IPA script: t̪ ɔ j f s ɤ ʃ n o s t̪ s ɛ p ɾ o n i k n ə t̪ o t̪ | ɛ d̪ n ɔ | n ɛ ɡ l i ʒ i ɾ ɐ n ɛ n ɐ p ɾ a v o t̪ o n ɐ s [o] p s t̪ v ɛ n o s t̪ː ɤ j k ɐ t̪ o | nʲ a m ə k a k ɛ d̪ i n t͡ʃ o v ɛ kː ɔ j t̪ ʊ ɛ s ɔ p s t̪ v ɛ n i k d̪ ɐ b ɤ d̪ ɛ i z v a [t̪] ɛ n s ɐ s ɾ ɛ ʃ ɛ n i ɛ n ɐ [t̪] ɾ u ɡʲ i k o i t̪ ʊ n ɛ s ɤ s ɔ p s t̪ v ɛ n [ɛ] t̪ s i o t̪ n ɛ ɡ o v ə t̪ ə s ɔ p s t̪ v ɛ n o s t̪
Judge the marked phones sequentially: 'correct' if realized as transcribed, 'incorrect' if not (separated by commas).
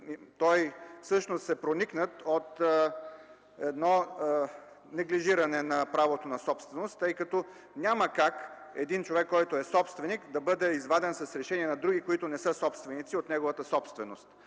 incorrect, incorrect, incorrect, incorrect